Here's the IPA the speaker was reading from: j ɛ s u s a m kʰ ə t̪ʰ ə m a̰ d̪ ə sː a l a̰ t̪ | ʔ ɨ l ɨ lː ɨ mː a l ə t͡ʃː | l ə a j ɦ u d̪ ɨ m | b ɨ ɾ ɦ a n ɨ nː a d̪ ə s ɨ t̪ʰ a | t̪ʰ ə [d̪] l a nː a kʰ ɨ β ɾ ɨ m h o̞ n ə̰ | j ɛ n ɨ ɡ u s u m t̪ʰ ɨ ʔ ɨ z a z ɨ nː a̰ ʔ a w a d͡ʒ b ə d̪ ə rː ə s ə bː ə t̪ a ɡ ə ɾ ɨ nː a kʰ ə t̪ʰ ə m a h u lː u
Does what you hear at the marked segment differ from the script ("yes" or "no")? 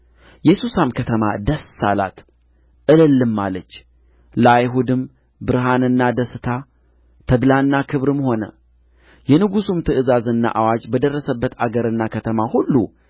no